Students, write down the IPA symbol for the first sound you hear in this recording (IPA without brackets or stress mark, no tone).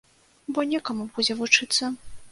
b